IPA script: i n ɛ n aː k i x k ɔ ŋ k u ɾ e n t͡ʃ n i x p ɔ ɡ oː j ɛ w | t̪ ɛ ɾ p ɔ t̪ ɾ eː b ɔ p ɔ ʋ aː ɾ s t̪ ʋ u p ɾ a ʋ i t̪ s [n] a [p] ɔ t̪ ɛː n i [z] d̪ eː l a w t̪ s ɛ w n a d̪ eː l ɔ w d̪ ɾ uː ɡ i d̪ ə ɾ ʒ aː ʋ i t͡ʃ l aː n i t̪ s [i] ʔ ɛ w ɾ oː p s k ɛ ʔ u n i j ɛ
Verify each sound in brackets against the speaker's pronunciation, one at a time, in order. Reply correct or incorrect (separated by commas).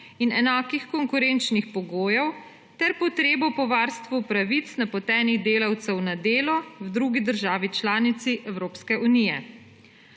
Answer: correct, correct, incorrect, correct